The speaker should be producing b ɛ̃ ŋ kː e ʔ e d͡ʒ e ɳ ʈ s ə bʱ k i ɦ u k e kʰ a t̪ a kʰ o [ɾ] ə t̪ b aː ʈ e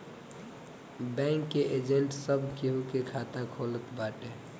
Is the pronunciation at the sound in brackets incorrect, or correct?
incorrect